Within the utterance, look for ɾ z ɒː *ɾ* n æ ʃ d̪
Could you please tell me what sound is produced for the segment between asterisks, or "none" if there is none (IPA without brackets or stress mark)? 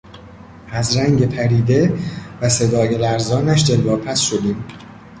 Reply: none